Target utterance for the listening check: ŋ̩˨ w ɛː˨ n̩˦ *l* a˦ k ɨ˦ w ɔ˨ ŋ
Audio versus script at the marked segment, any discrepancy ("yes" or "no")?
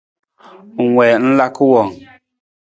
no